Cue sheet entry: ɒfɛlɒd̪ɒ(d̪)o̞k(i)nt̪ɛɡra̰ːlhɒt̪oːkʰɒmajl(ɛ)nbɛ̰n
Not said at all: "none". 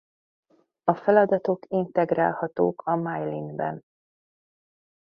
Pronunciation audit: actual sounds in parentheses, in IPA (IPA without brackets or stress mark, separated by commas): t̪, i, i